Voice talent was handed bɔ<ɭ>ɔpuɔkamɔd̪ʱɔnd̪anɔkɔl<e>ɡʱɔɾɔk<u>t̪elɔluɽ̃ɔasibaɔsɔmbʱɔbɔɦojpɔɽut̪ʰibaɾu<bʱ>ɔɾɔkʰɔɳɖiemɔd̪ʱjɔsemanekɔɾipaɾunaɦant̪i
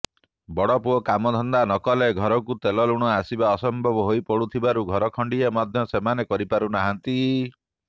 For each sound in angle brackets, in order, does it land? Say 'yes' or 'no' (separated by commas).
no, yes, yes, no